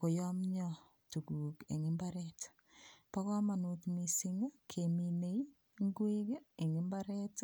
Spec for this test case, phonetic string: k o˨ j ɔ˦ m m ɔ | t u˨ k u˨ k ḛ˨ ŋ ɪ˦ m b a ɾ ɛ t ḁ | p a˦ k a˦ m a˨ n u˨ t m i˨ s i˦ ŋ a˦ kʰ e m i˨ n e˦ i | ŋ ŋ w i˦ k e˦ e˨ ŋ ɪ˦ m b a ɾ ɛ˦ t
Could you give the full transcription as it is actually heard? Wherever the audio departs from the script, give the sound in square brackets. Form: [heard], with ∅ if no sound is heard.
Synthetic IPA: k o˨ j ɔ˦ m [ɲ] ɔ | t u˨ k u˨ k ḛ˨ ŋ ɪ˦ m b a ɾ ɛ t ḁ | p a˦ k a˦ m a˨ n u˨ t m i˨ s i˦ ŋ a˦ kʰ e m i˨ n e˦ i | ŋ [ɡ] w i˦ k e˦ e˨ ŋ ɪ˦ m b a ɾ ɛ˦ t